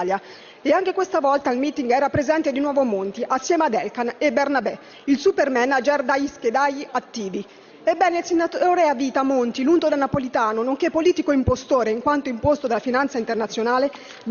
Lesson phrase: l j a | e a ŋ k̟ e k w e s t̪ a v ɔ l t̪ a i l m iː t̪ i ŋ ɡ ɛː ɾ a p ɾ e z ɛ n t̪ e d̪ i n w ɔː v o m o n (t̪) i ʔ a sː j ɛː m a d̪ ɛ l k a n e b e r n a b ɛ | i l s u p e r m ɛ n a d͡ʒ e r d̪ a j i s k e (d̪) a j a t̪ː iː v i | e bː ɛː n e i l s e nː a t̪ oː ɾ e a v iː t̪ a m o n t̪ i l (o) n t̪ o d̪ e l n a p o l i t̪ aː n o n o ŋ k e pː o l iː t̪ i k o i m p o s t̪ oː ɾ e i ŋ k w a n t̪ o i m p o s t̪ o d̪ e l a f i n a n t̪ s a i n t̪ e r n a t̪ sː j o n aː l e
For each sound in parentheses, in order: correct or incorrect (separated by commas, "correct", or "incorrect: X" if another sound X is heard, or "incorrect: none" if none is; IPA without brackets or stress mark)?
correct, correct, incorrect: u